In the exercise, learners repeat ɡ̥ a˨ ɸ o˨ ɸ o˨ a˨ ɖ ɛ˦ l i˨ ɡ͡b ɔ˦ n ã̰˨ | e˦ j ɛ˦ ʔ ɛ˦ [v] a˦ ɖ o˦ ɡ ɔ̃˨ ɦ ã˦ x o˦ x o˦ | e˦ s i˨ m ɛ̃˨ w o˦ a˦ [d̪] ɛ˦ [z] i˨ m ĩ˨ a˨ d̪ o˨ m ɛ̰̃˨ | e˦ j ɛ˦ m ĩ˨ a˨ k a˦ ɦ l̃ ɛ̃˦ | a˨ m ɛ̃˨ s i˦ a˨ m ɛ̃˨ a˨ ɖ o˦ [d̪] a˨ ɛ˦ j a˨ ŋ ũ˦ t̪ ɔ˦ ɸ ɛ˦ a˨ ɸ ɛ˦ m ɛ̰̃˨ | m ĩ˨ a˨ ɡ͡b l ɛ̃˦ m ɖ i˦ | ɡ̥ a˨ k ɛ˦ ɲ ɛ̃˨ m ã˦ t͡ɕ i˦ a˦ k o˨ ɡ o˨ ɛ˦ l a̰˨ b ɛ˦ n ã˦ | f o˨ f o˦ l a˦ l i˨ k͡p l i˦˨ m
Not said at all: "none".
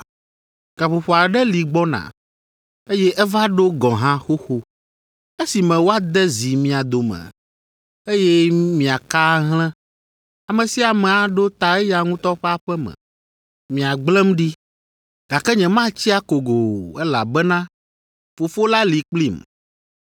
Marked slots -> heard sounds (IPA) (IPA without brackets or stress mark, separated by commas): v, d̪, z, t̪